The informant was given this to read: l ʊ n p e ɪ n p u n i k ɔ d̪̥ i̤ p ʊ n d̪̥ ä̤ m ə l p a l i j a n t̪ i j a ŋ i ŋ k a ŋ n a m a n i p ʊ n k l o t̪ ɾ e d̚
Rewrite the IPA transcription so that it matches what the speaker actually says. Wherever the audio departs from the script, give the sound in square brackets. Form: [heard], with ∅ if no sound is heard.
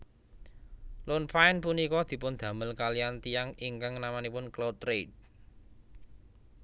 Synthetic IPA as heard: l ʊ n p [a] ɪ n p u n i k ɔ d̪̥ i̤ p ʊ n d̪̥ ä̤ m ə l [k] a l i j a n t̪ i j a ŋ i ŋ k a ŋ n a m a n i p ʊ n k l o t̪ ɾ e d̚